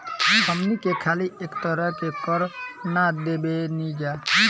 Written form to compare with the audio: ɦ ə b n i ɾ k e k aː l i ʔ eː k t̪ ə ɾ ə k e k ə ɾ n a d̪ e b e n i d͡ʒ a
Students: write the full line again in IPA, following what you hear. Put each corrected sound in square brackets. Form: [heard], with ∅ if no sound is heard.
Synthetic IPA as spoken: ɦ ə [m] n i [∅] k e [kʰ] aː l i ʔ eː k t̪ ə ɾ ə k e k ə ɾ n a d̪ e b e n i d͡ʒ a